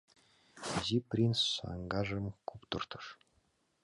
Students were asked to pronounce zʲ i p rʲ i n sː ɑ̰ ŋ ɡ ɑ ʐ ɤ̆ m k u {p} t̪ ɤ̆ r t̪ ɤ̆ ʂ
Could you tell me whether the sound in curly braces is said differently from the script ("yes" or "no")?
no